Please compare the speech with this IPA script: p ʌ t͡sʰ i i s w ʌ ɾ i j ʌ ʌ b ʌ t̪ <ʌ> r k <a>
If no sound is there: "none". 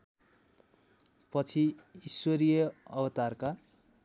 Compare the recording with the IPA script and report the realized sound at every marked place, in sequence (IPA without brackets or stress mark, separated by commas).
a, a